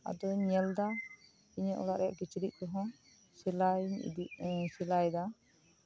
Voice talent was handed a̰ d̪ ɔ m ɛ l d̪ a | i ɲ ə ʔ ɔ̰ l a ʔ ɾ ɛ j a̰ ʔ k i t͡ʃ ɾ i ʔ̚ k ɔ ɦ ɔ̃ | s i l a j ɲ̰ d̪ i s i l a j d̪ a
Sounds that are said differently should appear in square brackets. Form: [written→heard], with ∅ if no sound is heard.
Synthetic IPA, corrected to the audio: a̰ d̪ ɔ [m→ɲ] ɛ l d̪ a | i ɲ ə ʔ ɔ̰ l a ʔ ɾ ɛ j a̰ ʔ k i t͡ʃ ɾ i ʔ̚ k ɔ ɦ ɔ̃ | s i l a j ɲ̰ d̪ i s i l a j d̪ a